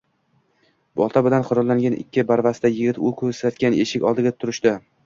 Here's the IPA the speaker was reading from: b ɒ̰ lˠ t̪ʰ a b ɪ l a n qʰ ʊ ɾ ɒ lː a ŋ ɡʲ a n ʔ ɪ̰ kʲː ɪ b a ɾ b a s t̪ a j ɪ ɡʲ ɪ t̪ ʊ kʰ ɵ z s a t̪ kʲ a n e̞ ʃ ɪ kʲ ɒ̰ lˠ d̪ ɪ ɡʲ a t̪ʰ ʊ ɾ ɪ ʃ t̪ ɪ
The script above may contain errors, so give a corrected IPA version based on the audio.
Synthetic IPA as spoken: b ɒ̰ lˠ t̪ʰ a b ɪ l a n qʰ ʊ ɾ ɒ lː a ŋ ɡʲ a n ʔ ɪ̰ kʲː ɪ b a ɾ v a s t̪ a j ɪ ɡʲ ɪ t̪ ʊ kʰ ɵ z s a t̪ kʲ a n e̞ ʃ ɪ kʲ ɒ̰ lˠ d̪ ɪ ɡʲ a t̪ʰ ʊ ɾ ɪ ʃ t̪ ɪ